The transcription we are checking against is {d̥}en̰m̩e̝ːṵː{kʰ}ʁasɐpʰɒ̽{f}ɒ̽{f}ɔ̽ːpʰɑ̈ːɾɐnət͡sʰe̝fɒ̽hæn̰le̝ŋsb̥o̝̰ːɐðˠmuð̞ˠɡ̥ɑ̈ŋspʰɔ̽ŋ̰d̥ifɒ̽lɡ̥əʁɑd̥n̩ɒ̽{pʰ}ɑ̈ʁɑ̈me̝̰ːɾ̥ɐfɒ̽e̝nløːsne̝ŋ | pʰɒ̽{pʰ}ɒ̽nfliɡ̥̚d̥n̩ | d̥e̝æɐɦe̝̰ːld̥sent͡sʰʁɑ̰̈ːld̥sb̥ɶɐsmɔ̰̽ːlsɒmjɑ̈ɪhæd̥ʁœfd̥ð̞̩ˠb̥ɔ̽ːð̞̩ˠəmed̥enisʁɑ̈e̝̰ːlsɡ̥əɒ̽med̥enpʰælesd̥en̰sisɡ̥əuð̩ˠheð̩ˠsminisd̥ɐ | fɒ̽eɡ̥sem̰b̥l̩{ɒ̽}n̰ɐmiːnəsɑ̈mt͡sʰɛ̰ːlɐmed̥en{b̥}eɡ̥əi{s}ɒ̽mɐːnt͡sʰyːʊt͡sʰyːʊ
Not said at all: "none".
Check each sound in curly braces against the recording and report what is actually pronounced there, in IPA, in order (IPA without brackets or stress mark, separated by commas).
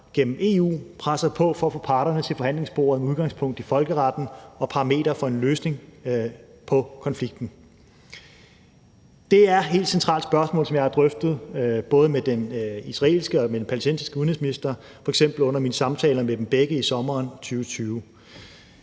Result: ɡ̥, pʰ, f, f, pʰ, kʰ, ɔ̽, b̥, s